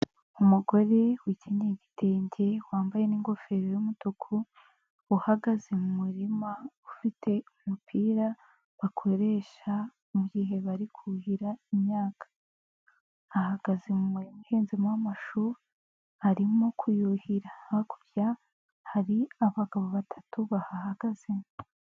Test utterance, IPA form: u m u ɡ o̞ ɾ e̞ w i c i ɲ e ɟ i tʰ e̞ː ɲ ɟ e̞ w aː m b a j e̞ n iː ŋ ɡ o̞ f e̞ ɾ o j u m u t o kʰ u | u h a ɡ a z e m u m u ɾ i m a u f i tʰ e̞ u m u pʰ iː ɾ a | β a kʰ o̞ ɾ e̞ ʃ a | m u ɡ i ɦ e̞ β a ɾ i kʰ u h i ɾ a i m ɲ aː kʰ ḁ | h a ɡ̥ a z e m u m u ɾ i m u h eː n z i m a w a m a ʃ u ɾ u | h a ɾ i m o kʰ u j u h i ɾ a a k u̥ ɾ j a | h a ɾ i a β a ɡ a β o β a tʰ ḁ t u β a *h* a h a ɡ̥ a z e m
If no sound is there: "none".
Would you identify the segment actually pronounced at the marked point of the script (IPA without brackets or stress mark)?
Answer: h